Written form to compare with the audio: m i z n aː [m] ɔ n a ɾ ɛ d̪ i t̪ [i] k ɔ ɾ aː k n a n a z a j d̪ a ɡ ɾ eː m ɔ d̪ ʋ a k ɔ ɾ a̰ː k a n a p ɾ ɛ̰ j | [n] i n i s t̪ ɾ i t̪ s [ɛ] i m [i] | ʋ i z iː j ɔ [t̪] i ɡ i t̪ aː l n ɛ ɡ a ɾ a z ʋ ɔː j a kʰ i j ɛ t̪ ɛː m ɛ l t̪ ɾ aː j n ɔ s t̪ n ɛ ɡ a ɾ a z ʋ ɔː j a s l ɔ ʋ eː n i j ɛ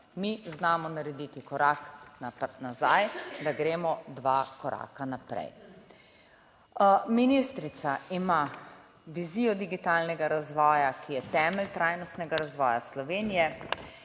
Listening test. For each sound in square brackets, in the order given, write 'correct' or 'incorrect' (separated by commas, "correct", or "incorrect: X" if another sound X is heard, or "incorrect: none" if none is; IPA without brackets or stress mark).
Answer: correct, correct, incorrect: m, incorrect: a, incorrect: a, incorrect: d̪